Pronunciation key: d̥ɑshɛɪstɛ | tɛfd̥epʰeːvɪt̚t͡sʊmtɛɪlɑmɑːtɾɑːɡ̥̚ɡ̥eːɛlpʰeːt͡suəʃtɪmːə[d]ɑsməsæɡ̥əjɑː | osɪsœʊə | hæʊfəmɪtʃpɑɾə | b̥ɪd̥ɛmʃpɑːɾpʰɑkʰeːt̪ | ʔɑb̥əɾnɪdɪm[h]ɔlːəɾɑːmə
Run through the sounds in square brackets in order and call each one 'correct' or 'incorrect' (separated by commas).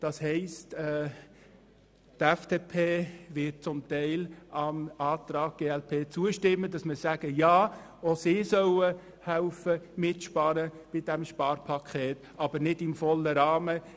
correct, incorrect